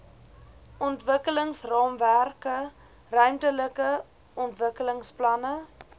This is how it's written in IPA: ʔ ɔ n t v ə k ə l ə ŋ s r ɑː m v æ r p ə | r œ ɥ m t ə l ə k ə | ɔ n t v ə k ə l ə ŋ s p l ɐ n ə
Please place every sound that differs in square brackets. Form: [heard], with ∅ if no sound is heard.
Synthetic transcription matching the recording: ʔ ɔ n t v ə k ə l ə ŋ s r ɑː m v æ r [k] ə | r œ ɥ m t ə l ə k ə | ɔ n t v ə k ə l ə ŋ s p l ɐ n ə